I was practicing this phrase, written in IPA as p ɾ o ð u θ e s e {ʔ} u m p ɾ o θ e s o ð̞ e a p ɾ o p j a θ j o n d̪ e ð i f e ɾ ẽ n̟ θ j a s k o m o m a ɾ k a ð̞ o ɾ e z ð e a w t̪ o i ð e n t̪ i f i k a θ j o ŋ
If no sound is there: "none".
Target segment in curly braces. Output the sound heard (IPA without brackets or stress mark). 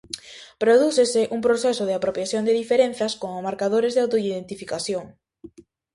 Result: ʔ